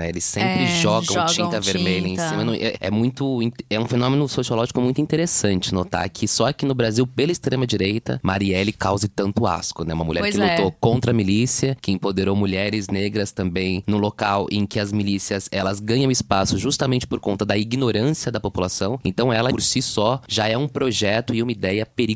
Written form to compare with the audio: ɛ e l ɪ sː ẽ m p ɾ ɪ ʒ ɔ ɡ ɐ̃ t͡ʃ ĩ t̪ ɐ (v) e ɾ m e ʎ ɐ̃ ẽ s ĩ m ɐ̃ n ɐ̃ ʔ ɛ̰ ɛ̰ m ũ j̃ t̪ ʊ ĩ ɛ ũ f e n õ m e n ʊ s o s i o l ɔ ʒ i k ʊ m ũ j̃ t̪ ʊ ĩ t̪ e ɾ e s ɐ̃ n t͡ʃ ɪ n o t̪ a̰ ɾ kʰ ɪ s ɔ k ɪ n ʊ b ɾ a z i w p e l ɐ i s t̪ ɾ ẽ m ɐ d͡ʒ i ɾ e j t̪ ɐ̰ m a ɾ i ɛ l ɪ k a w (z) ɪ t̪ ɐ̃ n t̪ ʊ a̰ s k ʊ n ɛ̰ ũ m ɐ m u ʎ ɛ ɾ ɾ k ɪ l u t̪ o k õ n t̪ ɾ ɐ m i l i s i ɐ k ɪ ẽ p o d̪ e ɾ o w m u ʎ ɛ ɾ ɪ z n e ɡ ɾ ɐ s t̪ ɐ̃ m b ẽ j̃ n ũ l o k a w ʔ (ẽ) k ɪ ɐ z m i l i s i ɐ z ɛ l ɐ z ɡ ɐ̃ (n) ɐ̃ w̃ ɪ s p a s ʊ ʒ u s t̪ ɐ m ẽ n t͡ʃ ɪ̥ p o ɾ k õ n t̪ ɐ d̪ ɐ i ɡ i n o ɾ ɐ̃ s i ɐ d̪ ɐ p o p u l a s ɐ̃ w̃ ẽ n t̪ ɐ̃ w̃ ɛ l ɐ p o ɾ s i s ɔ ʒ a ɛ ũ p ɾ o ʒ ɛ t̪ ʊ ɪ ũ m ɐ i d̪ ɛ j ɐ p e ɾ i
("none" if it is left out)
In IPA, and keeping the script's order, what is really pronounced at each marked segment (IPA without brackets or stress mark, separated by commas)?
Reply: v, z, ẽ, ɲ